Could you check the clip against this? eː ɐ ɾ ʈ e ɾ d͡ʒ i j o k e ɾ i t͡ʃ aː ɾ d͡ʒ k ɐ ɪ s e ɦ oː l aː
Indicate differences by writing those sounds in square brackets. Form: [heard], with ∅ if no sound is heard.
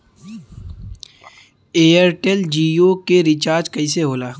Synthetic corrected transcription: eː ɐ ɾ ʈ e [l] d͡ʒ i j o k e ɾ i t͡ʃ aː ɾ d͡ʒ k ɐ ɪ s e ɦ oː l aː